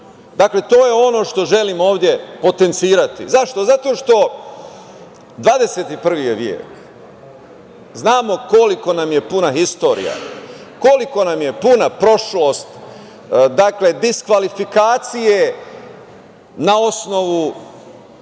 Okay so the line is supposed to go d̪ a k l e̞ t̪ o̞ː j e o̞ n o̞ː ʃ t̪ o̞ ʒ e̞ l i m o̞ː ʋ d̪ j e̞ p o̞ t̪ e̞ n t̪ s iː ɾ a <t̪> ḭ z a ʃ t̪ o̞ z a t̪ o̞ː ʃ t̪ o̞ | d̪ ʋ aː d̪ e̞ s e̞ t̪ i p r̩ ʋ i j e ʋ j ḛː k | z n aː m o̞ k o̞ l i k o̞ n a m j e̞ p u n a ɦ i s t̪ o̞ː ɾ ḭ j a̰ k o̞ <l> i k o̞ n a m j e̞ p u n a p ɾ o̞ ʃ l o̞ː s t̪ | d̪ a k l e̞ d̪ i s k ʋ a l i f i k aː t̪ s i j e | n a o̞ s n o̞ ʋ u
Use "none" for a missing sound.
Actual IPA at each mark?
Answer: t̪, l

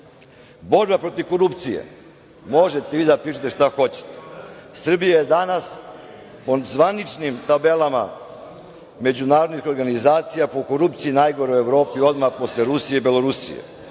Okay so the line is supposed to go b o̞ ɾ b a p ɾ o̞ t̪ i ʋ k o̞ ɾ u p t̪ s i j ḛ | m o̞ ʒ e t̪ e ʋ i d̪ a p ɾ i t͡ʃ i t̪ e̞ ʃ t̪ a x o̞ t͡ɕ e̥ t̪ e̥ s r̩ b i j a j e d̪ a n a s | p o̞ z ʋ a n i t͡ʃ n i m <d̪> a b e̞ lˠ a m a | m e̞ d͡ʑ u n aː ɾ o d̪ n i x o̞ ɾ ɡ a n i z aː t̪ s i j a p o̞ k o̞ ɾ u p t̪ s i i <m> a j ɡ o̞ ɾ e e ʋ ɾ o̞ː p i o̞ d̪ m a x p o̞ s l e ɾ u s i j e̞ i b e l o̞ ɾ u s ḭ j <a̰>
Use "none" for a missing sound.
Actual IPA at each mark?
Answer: t̪, n, ḛ

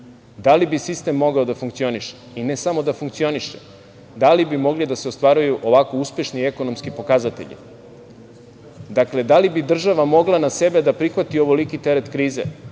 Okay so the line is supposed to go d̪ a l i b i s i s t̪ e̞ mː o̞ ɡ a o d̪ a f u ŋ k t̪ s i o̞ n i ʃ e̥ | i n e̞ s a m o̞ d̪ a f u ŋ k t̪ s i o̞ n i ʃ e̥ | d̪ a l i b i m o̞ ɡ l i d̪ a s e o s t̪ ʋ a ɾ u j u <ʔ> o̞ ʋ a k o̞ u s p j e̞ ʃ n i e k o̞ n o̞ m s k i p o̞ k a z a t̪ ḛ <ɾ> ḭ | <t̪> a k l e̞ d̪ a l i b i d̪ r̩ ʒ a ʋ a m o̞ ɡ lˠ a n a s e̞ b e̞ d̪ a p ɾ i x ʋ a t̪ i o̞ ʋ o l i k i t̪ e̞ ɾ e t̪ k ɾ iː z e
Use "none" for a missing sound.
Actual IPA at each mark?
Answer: ʔ, ʎ, d̪

